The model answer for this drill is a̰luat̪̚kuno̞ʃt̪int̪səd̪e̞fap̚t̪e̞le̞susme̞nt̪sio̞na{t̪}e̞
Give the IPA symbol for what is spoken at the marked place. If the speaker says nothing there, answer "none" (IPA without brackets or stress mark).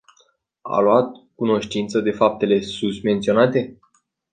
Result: t̪